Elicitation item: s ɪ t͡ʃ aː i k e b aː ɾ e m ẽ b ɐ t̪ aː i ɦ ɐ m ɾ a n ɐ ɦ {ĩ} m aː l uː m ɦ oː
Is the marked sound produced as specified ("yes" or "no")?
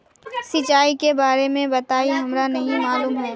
yes